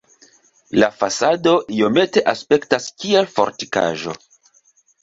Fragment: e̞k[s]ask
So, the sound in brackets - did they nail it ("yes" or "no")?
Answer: no